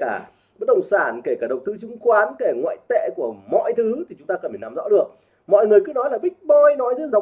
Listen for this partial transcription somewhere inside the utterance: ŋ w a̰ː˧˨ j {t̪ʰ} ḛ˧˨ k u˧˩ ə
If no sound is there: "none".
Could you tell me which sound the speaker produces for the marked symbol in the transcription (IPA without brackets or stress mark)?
t̪